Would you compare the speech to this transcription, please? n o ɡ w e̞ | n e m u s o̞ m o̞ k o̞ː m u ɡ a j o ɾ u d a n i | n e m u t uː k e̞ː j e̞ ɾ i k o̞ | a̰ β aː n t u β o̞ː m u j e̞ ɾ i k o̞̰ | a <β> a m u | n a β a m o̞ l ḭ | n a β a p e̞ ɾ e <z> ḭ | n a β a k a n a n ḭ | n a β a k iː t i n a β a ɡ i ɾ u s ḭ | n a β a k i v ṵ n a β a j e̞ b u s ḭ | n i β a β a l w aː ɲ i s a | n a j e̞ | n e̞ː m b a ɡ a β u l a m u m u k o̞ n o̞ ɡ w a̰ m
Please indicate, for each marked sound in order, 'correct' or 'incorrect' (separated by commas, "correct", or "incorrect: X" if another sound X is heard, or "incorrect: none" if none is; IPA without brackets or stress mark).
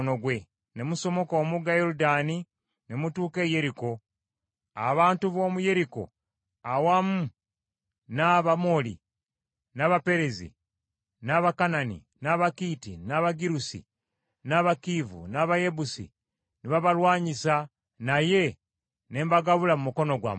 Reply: incorrect: w, correct